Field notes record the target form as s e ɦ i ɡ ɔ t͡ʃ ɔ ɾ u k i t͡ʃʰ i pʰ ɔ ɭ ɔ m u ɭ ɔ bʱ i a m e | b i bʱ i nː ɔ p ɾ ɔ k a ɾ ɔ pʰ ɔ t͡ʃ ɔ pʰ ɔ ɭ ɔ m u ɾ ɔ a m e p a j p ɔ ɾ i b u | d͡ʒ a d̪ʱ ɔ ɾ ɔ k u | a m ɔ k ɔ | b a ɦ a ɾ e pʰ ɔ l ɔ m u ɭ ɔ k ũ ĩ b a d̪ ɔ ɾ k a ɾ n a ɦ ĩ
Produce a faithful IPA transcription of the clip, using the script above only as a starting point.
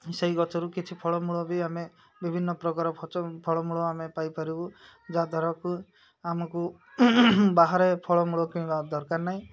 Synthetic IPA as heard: s e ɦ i ɡ ɔ t͡ʃ ɔ ɾ u k i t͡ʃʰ i pʰ ɔ ɭ ɔ m u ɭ ɔ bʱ i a m e | b i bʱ i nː ɔ p ɾ ɔ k a ɾ ɔ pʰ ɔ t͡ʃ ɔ pʰ ɔ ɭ ɔ m u ɭ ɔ a m e p a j p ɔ ɾ i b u | d͡ʒ a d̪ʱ ɔ ɾ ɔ k u | a m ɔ k u | b a ɦ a ɾ e pʰ ɔ ɭ ɔ m u ɭ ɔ k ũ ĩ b a d̪ ɔ ɾ k a ɾ n a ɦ ĩ